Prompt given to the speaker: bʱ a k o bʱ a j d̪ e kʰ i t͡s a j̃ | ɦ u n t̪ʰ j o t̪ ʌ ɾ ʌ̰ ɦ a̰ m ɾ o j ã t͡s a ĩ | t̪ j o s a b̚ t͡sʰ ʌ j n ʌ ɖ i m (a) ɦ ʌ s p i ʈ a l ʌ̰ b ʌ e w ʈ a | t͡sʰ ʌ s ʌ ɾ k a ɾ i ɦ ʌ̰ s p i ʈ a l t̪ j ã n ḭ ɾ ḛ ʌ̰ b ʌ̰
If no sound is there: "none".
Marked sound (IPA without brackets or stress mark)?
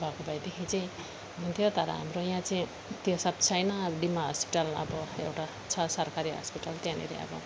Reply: a